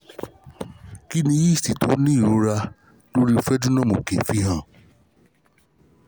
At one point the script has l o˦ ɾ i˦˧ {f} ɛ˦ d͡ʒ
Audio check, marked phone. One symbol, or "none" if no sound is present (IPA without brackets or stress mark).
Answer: f